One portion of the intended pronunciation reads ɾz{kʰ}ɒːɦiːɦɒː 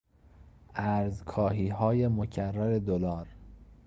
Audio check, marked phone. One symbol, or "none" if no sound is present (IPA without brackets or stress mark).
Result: kʰ